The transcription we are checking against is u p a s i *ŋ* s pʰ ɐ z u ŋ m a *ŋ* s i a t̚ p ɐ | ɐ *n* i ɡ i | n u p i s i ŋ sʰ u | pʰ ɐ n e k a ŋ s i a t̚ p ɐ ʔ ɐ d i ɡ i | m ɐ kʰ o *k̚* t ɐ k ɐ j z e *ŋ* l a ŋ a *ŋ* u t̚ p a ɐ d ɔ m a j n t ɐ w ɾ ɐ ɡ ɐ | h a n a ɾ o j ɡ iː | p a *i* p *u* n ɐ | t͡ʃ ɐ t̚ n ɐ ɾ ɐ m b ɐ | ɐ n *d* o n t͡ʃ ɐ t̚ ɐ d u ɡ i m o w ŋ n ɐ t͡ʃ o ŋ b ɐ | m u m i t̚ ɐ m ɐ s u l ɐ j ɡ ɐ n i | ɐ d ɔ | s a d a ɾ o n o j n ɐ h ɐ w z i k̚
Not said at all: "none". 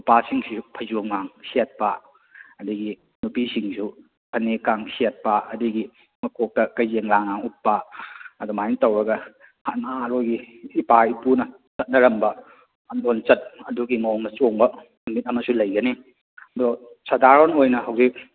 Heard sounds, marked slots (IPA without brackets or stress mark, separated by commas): ŋ, ŋ, d, k̚, ŋ, ŋ, i, u, d